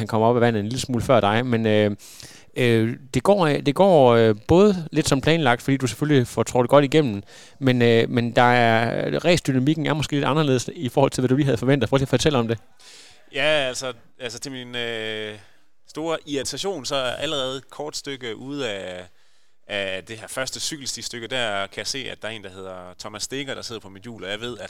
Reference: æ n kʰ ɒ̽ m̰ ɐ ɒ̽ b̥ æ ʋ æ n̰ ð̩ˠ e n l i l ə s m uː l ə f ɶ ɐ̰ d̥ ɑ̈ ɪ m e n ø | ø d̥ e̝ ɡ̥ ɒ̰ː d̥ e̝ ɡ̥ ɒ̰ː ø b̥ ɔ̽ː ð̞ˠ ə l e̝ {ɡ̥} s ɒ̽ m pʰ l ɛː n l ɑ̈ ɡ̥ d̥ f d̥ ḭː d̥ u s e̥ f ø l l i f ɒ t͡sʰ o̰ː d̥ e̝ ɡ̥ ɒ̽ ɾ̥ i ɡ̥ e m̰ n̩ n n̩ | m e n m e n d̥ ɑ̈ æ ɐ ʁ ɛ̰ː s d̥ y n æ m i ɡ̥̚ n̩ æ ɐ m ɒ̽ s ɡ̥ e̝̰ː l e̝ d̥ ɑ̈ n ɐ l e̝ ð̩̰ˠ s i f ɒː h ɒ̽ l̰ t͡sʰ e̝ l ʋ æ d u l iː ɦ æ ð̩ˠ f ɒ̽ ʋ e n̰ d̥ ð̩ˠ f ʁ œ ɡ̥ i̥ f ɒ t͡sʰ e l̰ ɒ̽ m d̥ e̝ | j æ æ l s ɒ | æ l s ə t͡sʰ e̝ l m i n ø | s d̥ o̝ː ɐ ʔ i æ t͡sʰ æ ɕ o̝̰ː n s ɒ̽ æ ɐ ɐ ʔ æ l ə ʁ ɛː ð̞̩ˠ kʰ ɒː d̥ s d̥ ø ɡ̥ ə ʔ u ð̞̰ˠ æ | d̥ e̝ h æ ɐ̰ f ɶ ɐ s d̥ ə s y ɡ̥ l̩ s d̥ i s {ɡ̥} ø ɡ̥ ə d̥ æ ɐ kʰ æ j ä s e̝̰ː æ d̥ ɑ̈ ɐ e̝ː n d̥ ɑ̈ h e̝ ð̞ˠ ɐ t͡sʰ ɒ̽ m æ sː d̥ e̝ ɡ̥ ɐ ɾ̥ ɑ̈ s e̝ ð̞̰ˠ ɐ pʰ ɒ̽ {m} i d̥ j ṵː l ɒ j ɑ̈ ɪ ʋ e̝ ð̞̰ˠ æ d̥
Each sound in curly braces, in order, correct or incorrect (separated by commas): incorrect, incorrect, correct